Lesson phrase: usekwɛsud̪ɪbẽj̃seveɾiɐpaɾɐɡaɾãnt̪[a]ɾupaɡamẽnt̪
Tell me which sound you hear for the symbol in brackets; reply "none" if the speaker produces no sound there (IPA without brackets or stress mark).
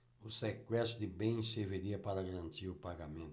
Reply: i